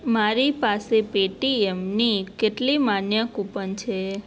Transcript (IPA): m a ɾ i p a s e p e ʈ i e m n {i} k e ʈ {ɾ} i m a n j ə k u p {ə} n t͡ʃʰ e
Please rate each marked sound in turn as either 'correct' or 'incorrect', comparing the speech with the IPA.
correct, incorrect: l, correct

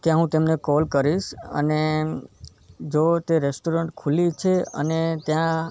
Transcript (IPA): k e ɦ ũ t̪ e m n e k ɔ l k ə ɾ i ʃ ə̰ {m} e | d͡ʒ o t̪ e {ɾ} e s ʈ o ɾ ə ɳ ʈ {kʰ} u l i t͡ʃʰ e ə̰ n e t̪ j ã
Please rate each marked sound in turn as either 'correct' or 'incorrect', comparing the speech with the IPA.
incorrect: n, correct, correct

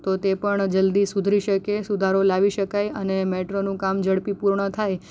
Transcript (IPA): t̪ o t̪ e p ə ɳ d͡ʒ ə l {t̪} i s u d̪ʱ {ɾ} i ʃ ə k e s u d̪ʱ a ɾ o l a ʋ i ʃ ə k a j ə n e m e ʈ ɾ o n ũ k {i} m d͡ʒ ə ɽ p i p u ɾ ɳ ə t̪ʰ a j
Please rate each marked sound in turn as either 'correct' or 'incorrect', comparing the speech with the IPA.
incorrect: d̪, correct, incorrect: a

